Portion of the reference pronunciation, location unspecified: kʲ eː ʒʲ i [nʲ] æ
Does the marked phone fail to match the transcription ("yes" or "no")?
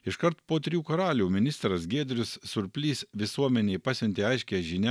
no